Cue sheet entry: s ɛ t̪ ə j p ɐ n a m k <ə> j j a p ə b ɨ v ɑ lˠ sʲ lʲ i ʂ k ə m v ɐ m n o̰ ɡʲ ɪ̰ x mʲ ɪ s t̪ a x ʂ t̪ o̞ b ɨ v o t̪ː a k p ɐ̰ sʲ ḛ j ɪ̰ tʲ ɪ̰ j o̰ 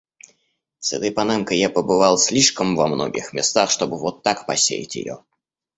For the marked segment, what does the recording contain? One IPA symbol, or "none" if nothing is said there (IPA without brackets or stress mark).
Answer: ə